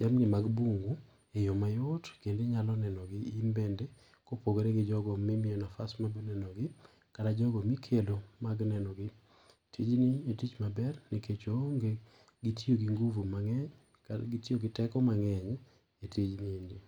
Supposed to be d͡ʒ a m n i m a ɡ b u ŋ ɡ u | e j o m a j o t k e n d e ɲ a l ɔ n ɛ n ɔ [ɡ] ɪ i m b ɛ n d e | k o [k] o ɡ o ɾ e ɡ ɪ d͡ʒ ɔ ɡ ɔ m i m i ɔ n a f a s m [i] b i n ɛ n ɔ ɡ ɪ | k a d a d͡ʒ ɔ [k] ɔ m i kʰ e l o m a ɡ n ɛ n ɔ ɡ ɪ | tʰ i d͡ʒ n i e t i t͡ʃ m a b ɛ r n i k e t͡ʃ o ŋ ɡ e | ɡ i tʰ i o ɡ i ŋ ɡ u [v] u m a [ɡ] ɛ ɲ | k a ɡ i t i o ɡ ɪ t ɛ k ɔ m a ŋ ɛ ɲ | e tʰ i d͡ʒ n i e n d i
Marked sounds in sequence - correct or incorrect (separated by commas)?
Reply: correct, incorrect, incorrect, incorrect, correct, incorrect